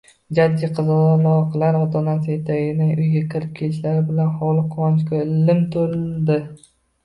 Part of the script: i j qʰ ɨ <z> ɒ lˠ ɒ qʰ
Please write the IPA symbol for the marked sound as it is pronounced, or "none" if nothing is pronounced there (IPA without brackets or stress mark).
z